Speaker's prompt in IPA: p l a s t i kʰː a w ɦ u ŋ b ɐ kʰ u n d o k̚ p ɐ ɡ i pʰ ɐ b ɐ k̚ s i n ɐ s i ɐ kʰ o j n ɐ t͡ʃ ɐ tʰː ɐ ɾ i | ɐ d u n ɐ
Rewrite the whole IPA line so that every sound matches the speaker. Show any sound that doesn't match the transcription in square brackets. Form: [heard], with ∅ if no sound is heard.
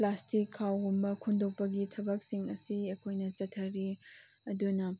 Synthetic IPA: p l a s t i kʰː a w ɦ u [m] b ɐ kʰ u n d o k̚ p ɐ ɡ i [tʰ] ɐ b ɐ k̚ s i [ŋ] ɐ s i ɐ kʰ o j n ɐ t͡ʃ ɐ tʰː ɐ ɾ i | ɐ d u n ɐ